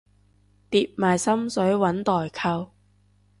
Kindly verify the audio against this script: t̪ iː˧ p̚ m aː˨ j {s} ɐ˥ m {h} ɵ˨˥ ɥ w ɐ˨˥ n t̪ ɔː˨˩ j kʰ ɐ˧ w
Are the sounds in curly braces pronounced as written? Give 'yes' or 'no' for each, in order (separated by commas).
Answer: yes, no